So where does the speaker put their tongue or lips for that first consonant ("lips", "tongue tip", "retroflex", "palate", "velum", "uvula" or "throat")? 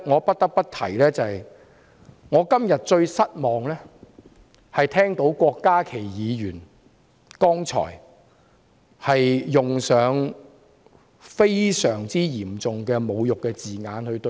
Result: velum